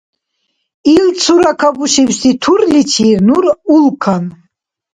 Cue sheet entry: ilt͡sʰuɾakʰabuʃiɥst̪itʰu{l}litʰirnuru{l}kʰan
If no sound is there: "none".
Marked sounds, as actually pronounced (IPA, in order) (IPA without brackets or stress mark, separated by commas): r, l